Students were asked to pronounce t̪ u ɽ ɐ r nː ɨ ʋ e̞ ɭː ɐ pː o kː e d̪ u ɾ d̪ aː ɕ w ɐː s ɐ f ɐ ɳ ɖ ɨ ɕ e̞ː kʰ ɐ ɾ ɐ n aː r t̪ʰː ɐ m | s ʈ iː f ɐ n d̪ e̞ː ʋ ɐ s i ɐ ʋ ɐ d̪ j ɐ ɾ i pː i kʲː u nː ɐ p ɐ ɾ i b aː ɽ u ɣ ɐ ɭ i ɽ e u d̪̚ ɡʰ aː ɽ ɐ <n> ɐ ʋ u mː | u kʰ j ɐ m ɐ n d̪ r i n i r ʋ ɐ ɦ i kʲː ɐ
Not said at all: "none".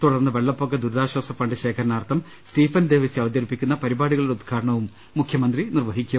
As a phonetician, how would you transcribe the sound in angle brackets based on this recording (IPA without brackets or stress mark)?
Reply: ɳ